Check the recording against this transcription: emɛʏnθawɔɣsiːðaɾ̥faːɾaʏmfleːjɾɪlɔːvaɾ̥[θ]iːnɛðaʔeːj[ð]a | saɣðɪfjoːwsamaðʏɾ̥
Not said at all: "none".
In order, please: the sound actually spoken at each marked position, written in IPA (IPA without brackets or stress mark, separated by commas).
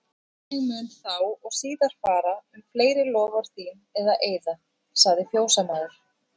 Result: θ, ð